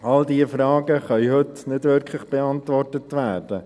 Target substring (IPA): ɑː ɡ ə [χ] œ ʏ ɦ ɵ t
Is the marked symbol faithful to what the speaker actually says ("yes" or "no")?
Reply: yes